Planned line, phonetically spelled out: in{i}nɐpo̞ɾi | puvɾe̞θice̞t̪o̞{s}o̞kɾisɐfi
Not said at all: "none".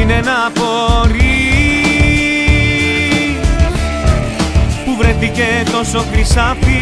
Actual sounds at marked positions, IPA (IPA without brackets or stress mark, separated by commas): e, s